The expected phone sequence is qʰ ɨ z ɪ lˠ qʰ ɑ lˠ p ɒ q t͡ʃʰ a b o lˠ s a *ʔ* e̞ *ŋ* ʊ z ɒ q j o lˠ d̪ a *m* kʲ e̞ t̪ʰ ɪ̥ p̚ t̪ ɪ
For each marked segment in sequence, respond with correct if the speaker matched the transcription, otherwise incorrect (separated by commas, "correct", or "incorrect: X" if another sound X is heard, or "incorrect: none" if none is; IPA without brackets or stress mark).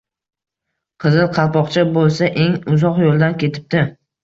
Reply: correct, correct, incorrect: n